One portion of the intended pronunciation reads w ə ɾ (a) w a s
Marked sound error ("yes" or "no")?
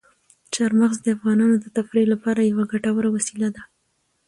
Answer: no